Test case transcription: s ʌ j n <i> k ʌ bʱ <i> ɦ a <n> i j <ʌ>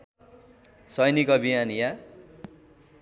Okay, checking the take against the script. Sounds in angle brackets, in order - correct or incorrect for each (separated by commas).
correct, correct, correct, incorrect